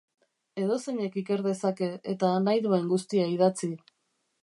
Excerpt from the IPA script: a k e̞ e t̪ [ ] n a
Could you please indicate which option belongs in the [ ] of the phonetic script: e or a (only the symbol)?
a